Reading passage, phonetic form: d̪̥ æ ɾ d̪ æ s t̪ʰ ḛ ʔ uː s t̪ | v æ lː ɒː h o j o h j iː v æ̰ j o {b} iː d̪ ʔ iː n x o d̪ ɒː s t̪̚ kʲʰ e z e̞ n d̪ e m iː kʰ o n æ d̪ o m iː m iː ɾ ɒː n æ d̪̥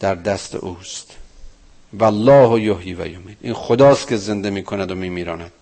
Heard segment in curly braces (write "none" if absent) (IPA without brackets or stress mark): m